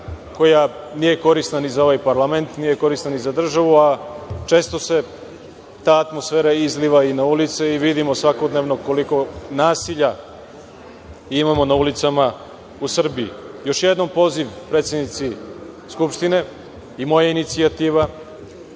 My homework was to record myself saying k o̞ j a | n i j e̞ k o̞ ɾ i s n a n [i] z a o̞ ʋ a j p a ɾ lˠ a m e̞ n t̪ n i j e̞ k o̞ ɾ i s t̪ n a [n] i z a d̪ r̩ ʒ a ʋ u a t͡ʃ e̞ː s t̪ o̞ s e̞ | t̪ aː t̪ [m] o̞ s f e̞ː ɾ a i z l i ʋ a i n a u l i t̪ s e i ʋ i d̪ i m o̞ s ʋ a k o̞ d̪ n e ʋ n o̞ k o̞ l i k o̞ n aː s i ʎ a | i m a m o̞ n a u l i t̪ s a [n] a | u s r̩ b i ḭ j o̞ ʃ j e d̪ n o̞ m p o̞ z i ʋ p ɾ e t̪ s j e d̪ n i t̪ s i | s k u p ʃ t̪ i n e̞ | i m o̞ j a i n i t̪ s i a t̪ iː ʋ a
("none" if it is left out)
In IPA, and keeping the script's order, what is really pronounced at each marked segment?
i, n, m, m

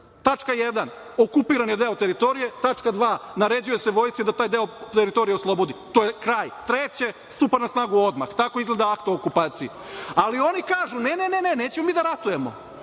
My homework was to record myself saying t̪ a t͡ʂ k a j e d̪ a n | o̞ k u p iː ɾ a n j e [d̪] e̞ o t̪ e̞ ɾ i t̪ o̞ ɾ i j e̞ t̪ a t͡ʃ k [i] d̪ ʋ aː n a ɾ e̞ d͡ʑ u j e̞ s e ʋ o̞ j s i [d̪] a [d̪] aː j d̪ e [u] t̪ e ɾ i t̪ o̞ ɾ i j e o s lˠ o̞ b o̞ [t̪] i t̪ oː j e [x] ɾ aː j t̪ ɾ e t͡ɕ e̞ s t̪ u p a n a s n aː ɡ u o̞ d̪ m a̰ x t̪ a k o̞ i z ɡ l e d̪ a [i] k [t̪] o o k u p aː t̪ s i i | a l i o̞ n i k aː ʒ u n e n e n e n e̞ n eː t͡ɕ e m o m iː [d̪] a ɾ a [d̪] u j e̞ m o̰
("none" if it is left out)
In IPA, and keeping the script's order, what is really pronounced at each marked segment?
d̪, a, d̪, t̪, o, d̪, k, a, t̪, d̪, t̪

